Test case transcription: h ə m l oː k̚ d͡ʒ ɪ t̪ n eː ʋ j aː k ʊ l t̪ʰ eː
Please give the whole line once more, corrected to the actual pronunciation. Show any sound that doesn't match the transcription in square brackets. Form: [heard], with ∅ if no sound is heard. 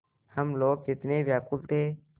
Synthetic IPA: h ə m l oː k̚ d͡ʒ ɪ t̪ n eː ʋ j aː k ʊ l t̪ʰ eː